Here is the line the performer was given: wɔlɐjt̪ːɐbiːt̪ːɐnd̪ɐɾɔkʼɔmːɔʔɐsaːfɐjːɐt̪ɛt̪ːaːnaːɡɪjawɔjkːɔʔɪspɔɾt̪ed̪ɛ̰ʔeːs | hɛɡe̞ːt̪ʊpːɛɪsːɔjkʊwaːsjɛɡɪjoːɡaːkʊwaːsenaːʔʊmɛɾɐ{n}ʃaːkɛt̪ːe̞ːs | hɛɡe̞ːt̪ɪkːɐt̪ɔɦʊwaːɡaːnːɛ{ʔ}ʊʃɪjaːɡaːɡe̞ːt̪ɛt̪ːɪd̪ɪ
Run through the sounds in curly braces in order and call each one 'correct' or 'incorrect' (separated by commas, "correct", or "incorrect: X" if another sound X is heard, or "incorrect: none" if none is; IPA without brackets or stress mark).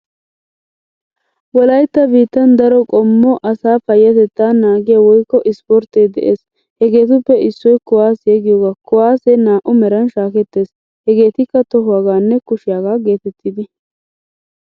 correct, incorrect: k